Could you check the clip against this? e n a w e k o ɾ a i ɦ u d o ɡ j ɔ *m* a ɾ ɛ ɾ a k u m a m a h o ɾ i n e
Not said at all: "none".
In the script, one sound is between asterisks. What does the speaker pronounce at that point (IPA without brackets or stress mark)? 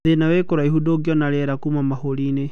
n